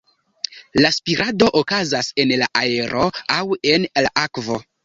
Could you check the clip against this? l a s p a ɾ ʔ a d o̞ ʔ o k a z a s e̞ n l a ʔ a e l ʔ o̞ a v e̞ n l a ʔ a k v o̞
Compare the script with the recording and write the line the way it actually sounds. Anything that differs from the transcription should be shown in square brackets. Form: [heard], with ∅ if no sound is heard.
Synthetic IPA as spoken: l a s p [i] ɾ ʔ a d o̞ ʔ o k a z a s e̞ n l a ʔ a e [ɾ] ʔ o̞ a [w] e̞ n l a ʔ a k v o̞